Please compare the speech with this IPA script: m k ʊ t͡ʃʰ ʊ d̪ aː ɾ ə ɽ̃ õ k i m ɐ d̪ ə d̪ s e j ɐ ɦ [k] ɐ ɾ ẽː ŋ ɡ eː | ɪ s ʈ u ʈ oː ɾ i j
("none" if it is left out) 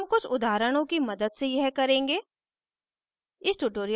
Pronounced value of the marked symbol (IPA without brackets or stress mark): k